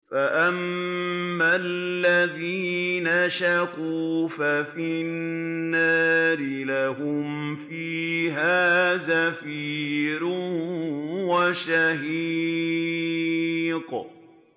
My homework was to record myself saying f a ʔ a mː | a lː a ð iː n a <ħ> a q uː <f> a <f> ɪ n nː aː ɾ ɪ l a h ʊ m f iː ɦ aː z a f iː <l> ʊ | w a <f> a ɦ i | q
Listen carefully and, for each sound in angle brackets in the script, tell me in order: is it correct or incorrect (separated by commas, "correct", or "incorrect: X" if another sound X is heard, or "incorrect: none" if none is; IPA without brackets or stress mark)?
incorrect: ʃ, correct, correct, incorrect: ɾ, incorrect: ʃ